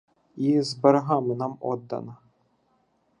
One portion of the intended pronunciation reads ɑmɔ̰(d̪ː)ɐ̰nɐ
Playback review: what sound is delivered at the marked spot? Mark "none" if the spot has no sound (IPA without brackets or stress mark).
d̪ː